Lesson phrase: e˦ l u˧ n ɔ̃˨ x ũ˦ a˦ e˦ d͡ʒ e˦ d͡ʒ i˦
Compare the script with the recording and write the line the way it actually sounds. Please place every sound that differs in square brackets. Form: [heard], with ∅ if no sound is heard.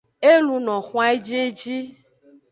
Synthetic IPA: e˦ l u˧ n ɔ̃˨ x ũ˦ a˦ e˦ d͡ʒ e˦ d͡ʒ i˦